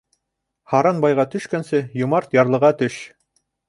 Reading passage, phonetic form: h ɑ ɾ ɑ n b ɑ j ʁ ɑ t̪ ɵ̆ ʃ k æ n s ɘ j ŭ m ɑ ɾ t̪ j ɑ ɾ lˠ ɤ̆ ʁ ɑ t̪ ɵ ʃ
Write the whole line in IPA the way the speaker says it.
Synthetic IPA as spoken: h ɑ ɾ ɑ n b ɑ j ʁ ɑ t̪ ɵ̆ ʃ k æ n s ɘ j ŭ m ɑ ɾ t̪ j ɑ ɾ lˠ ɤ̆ ʁ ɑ t̪ ɵ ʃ